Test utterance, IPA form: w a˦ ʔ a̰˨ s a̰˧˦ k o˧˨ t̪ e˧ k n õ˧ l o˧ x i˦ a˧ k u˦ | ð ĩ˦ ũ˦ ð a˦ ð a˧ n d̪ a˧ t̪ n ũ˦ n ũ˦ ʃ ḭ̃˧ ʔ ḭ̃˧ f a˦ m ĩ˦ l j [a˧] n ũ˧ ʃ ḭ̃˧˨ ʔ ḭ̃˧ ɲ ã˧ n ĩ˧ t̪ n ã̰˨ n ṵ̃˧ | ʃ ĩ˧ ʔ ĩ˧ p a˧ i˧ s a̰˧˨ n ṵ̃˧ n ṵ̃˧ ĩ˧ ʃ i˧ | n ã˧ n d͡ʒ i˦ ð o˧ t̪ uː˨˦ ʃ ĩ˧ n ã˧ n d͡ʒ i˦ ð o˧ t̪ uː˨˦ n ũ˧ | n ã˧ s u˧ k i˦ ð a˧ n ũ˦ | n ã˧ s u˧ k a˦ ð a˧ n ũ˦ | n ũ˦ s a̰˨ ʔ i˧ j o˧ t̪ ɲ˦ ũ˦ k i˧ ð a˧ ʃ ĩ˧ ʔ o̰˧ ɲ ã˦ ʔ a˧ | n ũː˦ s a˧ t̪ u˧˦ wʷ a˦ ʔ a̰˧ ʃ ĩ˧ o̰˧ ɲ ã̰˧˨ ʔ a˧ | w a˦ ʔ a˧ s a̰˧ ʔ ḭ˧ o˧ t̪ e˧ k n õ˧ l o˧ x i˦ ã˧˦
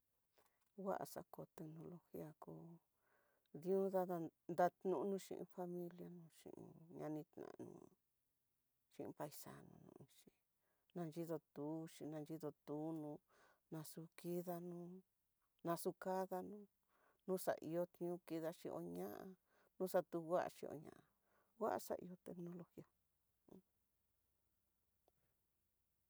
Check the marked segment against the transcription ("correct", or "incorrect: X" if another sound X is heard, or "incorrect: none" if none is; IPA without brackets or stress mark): correct